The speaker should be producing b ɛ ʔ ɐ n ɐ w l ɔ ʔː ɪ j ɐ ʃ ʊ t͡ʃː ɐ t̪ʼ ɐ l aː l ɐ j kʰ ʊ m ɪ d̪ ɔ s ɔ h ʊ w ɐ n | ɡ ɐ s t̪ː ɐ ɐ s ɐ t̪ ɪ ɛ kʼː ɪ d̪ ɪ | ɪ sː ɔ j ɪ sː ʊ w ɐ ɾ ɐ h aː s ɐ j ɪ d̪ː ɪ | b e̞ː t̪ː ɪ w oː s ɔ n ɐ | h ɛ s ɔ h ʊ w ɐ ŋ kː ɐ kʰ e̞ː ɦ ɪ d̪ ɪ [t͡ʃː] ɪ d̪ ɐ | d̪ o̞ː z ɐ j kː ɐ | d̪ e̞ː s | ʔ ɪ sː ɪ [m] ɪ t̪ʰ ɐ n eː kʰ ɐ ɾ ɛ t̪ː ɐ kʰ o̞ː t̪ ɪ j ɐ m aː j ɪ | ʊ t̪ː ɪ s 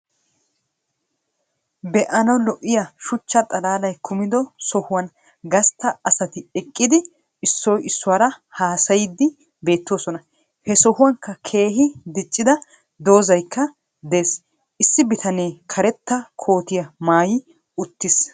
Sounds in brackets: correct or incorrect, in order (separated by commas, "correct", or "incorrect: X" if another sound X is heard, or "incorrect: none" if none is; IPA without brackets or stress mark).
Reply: incorrect: t͡ʃʼː, incorrect: b